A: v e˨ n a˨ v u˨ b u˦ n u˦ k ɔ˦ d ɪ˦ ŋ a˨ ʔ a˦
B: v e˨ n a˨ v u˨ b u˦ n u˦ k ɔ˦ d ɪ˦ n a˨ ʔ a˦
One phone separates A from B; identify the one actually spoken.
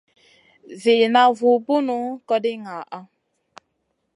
A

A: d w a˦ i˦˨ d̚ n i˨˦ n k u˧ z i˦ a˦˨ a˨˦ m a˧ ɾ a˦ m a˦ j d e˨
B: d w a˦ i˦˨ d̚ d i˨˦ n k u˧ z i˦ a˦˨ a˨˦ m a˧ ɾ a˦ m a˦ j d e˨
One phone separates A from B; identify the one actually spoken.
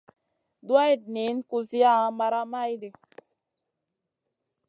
A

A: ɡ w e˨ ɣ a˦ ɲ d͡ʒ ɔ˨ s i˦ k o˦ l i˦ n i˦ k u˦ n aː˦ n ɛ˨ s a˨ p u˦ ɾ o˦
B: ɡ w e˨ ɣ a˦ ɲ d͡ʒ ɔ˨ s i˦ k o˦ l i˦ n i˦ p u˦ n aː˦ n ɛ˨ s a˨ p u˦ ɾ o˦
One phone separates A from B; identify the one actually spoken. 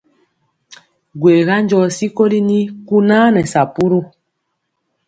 A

